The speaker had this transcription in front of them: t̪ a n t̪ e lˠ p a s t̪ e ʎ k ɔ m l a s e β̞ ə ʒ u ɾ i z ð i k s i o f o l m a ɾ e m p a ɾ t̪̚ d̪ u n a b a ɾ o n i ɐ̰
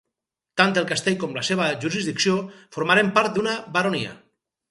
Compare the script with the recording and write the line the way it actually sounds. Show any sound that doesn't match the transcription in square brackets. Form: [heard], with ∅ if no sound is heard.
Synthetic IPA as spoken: t̪ a n t̪ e lˠ [k] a s t̪ e ʎ k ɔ m l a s e β̞ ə ʒ u ɾ i z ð i k s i o f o [ɾ] m a ɾ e m p a ɾ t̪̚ d̪ u n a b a ɾ o n i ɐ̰